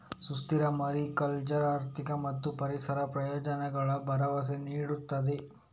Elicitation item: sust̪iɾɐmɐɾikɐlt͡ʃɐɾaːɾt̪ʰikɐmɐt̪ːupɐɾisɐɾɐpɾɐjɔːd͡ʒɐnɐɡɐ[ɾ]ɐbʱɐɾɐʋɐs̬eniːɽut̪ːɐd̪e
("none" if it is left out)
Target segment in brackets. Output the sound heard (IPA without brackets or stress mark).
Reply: ɭ